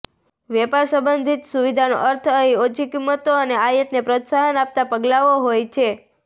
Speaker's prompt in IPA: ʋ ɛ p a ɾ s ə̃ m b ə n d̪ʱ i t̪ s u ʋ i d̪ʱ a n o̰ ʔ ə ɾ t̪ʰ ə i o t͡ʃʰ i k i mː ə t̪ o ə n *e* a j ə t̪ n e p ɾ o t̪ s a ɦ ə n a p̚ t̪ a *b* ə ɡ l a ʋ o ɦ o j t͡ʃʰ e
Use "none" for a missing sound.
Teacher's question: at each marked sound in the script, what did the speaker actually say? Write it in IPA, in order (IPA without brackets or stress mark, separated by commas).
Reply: e, p